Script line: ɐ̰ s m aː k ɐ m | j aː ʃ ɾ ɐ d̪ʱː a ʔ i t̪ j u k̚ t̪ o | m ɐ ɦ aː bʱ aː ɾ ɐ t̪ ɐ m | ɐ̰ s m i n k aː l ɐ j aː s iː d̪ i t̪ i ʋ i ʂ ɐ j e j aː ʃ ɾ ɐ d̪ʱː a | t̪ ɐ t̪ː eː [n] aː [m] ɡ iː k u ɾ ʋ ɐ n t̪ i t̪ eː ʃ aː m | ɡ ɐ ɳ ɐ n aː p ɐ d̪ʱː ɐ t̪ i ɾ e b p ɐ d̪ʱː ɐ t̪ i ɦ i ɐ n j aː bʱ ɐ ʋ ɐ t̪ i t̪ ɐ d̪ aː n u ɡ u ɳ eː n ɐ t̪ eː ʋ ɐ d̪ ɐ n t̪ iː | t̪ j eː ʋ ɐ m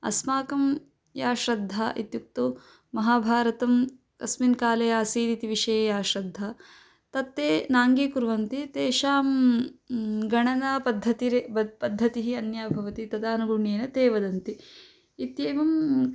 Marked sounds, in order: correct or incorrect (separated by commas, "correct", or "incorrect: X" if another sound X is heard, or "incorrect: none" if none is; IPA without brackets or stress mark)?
correct, incorrect: ŋ